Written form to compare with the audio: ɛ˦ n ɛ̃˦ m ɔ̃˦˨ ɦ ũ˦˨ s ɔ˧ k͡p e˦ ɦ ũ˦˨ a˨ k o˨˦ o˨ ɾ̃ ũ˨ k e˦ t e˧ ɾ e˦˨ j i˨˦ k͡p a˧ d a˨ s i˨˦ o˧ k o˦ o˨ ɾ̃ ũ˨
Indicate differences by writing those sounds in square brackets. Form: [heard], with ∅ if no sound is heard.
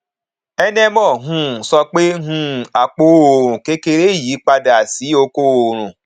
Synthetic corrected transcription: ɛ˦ n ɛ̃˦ m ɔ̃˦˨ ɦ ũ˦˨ s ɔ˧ k͡p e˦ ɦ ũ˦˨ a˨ [k͡p] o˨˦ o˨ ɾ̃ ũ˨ k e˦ [k] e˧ ɾ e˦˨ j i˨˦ k͡p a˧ d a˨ s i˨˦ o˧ k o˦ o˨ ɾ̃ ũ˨